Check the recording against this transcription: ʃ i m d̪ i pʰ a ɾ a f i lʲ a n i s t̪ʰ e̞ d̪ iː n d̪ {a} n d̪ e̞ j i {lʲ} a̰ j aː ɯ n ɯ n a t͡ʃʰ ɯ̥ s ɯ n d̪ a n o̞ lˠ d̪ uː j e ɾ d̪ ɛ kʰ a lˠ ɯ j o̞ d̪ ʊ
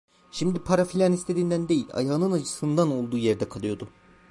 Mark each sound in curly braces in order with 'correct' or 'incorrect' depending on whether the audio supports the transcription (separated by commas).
incorrect, correct